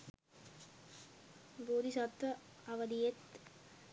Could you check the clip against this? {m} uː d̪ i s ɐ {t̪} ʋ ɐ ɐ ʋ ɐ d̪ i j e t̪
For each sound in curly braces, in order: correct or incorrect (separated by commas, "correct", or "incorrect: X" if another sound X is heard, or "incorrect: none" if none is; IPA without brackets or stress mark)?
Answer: incorrect: b, correct